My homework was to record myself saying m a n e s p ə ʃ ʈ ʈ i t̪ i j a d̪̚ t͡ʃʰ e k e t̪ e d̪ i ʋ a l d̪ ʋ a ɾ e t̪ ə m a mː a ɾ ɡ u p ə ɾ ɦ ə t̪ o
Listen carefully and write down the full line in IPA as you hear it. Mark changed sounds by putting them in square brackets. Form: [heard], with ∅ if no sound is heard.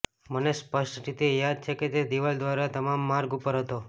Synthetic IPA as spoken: m [ə] n e s p ə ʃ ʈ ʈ i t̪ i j a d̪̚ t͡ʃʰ e k e t̪ e d̪ i ʋ a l d̪ ʋ a ɾ [a] t̪ ə m a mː a ɾ ɡ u p ə ɾ ɦ ə t̪ o